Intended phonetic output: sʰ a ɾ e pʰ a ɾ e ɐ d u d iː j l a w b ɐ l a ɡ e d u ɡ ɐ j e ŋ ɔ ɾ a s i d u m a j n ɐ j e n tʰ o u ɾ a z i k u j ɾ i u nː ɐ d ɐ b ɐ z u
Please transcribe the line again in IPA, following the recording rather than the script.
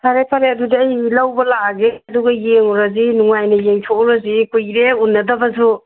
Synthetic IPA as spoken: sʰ a ɾ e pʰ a ɾ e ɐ d u d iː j l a w b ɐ l a ɡ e d u ɡ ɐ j e ŋ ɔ ɾ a z i n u ŋ a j n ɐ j e ŋ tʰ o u ɾ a z i k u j ɾ e u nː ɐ d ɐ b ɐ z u